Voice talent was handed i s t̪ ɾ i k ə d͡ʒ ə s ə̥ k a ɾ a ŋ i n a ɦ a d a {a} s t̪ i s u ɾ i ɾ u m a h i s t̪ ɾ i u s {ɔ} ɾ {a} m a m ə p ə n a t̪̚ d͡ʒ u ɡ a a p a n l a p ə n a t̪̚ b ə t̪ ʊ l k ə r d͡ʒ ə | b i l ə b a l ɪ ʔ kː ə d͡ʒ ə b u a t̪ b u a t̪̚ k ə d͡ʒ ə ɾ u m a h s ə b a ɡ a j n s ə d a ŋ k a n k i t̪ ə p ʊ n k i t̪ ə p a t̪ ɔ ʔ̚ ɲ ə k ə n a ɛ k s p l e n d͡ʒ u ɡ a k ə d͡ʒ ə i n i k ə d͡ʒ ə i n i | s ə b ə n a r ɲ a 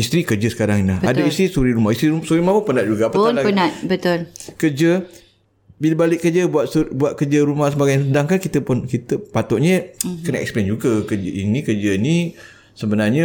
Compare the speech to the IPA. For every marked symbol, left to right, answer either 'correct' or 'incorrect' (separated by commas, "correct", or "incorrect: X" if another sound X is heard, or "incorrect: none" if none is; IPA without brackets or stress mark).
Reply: incorrect: i, incorrect: u, incorrect: i